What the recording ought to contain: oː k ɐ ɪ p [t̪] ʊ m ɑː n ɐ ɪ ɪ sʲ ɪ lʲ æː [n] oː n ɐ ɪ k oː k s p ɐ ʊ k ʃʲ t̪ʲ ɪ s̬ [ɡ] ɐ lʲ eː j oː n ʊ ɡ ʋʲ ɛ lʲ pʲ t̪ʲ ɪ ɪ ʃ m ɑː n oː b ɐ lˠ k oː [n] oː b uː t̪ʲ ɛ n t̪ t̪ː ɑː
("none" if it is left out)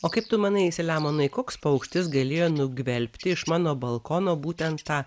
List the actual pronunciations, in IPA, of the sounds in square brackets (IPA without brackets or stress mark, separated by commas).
t̪, m, ɡ, n